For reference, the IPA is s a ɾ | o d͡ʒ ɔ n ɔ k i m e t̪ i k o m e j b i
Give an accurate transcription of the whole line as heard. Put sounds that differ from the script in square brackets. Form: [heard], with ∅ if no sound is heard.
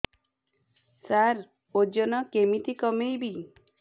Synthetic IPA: s a ɾ | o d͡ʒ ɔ n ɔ k [e] m [i] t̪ i k [ɔ] m e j b i